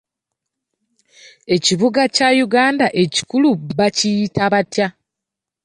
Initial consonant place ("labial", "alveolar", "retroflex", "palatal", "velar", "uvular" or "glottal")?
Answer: palatal